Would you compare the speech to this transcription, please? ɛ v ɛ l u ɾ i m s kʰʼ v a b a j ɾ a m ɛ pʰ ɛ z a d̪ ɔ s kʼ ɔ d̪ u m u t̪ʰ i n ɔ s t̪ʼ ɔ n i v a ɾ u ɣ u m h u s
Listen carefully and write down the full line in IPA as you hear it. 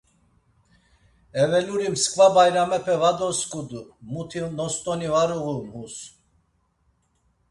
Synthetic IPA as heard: ɛ v ɛ l u ɾ i m s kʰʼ v a b a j ɾ a m ɛ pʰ ɛ v a d̪ ɔ s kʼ u d̪ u m u t̪ʰ i n ɔ s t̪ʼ ɔ n i v a ɾ u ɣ u m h u s

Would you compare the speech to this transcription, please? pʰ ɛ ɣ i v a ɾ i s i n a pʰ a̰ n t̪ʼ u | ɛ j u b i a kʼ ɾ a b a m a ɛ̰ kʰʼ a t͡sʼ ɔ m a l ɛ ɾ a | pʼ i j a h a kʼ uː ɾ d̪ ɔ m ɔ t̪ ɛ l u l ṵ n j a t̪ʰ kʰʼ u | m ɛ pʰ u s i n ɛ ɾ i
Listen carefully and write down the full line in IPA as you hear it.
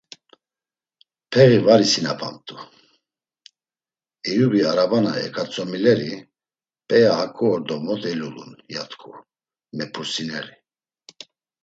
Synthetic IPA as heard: pʰ ɛ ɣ i v a ɾ i s i n a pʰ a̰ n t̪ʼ u | ɛ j u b i a ɾ a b a n a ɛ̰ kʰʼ a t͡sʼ ɔ m i l ɛ ɾ i | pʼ ɛ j a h a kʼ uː ɾ d̪ ɔ m ɔ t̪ ɛ l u l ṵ n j a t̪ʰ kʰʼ u | m ɛ pʰ u s i n ɛ ɾ i

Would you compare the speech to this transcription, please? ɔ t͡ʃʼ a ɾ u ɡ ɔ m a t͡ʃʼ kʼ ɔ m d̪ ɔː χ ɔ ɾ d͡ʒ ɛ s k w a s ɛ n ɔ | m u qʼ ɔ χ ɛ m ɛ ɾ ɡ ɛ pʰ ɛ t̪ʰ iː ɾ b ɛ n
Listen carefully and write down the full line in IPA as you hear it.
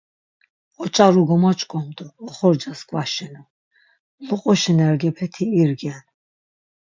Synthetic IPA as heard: ɔ t͡ʃʼ a ɾ u ɡ ɔ m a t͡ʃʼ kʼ ɔ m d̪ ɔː χ ɔ ɾ d͡ʒ a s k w a ʃ ɛ n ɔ | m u qʼ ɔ ʃ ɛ n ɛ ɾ ɡ ɛ pʰ ɛ t̪ʰ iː ɾ ɡ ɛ n

